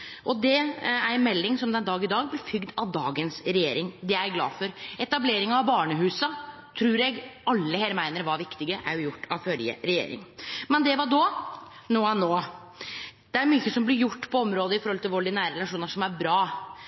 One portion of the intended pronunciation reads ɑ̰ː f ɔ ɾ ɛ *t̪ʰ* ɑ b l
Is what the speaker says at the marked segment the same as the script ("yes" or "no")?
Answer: no